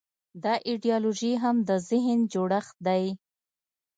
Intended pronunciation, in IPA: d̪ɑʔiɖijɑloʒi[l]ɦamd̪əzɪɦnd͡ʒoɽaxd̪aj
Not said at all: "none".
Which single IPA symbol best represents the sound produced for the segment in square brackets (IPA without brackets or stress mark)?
none